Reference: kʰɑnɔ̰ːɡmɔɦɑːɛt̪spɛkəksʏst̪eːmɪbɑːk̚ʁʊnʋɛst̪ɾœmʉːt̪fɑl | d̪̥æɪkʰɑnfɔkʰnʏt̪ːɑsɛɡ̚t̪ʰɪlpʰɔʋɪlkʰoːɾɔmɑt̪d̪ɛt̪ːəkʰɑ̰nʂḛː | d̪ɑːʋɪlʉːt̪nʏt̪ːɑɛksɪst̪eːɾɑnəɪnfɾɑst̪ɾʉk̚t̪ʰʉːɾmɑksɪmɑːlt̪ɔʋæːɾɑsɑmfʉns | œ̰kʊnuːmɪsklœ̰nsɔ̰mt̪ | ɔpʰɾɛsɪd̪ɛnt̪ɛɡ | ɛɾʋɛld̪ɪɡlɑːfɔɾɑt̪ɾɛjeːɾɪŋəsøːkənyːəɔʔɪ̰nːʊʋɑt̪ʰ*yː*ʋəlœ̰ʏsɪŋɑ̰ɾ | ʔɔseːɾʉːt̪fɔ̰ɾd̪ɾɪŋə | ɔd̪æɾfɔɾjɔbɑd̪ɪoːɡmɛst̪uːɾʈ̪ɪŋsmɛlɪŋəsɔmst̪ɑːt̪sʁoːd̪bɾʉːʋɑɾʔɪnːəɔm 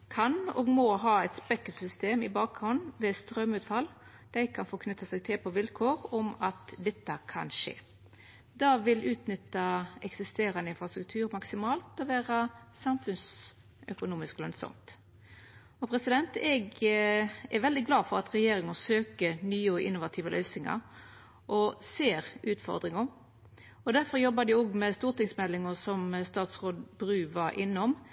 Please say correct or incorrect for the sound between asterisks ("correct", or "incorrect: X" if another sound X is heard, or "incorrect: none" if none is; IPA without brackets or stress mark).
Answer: incorrect: iː